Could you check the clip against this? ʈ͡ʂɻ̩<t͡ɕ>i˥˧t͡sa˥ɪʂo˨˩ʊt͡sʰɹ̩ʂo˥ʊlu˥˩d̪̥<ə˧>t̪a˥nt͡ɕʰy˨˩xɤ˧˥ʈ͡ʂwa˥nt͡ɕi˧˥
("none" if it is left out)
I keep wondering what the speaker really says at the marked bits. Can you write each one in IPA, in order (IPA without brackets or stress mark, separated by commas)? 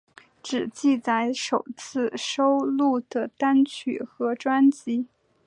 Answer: t͡ɕ, ə˩